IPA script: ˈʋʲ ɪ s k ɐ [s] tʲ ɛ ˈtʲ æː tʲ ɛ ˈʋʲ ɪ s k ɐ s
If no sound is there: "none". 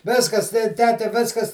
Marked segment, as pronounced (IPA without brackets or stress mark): s